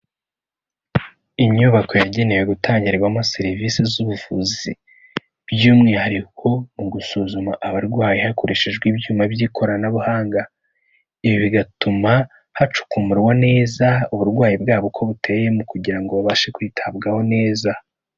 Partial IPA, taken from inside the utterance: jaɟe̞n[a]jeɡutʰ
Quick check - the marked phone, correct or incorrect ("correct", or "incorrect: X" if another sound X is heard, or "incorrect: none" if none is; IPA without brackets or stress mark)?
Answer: incorrect: e